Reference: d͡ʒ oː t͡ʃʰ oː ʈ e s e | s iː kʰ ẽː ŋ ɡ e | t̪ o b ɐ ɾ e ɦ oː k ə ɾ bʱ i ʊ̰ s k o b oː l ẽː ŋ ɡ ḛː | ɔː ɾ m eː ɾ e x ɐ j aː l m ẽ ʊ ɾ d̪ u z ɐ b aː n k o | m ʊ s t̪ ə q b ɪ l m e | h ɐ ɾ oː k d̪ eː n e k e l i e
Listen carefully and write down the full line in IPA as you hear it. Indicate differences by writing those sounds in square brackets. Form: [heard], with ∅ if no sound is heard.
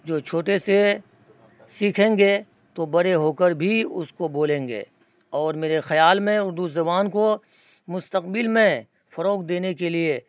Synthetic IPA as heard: d͡ʒ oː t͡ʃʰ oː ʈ e s e | s iː kʰ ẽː ŋ ɡ e | t̪ o b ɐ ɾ e ɦ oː k ə ɾ bʱ i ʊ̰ s k o b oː l ẽː ŋ ɡ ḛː | ɔː ɾ m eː ɾ e x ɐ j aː l m ẽ ʊ ɾ d̪ u z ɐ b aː n k o | m ʊ s t̪ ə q b ɪ l m [ẽ] | [f] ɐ ɾ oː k d̪ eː n e k e l i e

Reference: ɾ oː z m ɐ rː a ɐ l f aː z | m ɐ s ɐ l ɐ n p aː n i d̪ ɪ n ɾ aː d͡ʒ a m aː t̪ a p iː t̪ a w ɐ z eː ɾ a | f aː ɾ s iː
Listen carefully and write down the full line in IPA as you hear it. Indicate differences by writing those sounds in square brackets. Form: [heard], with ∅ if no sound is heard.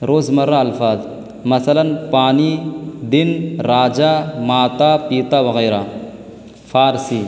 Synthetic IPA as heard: ɾ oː z m ɐ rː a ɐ l f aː z | m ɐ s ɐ l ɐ n p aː n i d̪ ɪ n ɾ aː d͡ʒ a m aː t̪ a p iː t̪ a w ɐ [ɣ] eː ɾ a | f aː ɾ s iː

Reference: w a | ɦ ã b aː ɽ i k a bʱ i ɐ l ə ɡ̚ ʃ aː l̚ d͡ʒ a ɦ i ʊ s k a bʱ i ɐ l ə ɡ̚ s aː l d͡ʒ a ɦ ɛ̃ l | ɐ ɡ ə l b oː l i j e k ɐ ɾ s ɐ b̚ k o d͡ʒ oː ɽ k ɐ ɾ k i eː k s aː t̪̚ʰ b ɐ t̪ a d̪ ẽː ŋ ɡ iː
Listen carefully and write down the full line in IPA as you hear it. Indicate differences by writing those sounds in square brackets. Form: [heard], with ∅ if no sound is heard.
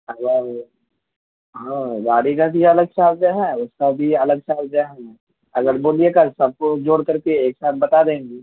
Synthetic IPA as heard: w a | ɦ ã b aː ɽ i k a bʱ i ɐ l ə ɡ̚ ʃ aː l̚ d͡ʒ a ɦ [ɛ] ʊ s k a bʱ i ɐ l ə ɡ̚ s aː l d͡ʒ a ɦ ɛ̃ [∅] | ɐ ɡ ə [ɾ] b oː l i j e k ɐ ɾ s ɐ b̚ k o d͡ʒ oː ɽ k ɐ ɾ k [e] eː k s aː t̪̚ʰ b ɐ t̪ a d̪ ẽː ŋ ɡ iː

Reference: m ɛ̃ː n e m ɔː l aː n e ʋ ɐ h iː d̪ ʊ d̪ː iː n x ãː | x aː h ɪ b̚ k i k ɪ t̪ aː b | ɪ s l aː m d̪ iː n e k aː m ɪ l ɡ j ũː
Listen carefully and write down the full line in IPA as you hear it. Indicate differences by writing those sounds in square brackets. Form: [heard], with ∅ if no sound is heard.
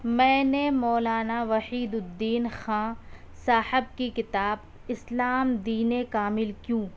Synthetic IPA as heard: m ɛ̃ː n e m ɔː l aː n [a] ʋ ɐ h iː d̪ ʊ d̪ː iː n x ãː | [s] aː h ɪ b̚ k i k ɪ t̪ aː b | ɪ s l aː m d̪ iː n e k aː m ɪ l [k] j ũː

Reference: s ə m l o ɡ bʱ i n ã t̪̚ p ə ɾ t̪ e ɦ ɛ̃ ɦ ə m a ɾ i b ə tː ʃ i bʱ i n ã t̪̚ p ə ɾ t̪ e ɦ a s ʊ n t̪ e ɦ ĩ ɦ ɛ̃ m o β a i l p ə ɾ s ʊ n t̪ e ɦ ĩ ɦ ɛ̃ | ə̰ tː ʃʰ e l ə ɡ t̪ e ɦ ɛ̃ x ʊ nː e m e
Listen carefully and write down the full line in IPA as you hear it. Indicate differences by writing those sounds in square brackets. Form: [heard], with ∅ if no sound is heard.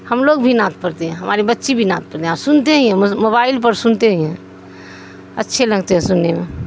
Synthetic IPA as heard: [h] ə m l o ɡ bʱ i n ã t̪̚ p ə ɾ t̪ e ɦ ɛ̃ ɦ ə m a ɾ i b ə tː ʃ i bʱ i n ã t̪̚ p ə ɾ t̪ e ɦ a s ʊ n t̪ e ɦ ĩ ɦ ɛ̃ m o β a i l p ə ɾ s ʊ n t̪ e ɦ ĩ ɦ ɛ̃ | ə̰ tː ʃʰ e l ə ɡ t̪ e ɦ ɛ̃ [s] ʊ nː e m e

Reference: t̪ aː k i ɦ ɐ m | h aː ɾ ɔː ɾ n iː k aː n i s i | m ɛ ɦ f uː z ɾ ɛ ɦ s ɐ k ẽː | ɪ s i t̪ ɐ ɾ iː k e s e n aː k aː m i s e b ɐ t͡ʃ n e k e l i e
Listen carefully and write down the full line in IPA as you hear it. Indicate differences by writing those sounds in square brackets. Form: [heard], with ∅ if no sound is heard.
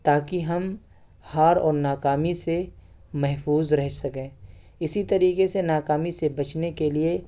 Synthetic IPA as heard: t̪ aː k i ɦ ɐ m | h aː ɾ ɔː ɾ n [aː] k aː [m] i s [e] | m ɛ ɦ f uː z ɾ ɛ ɦ s ɐ k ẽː | ɪ s i t̪ ɐ ɾ iː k e s e n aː k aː m i s e b ɐ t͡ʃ n e k e l i e

